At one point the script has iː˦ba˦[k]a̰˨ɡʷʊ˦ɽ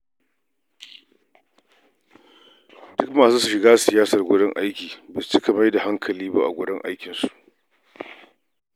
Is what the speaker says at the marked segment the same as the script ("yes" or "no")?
no